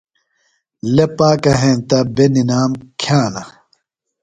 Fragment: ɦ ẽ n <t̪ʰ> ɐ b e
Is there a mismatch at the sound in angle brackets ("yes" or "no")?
yes